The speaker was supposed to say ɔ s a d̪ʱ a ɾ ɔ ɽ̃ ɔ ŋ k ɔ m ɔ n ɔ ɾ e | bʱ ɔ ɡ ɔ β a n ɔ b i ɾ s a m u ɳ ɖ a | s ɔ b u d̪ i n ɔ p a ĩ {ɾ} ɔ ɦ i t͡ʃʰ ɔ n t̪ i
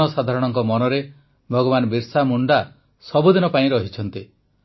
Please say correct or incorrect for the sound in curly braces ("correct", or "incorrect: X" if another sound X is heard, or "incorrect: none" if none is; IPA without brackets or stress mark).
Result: correct